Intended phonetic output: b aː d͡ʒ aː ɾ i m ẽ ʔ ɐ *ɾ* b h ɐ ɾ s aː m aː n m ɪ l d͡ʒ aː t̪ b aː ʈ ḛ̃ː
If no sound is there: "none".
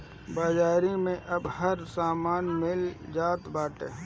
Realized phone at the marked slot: none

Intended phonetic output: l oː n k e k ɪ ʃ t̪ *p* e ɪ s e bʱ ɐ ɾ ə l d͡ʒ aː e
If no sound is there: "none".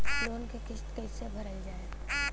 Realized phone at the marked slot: k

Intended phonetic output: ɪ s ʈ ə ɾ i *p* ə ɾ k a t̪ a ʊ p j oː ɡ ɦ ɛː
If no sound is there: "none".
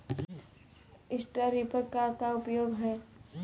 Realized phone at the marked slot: p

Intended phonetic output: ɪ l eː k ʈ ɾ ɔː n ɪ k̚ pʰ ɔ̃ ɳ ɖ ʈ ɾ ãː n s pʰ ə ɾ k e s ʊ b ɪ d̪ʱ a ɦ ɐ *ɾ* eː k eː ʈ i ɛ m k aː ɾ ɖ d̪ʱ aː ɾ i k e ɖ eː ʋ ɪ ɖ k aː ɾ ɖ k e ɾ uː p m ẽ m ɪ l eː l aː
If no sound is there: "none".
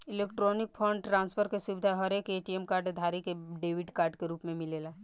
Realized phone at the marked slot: ɾ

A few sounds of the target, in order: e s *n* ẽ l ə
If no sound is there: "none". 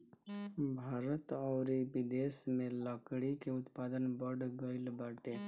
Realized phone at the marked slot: m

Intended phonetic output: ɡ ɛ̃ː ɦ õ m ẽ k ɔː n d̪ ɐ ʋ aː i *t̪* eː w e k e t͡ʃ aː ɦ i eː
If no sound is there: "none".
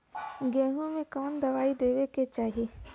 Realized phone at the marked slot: d̪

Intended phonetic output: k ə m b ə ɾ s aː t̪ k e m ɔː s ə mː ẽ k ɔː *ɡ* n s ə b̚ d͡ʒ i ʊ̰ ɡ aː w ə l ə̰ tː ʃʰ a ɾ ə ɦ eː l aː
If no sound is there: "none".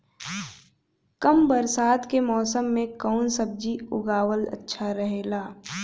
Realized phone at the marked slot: none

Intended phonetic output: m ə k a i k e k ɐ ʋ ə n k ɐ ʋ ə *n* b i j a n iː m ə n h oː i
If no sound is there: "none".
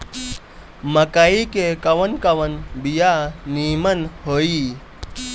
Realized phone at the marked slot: n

